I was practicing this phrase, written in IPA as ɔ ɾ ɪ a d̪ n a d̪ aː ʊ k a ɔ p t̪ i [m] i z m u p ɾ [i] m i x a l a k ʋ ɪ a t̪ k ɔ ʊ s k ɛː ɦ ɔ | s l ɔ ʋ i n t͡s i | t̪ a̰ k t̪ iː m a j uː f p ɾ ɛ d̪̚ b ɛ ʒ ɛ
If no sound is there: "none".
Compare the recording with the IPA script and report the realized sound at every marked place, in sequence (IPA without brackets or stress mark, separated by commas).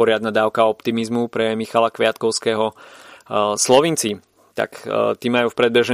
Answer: m, ɛ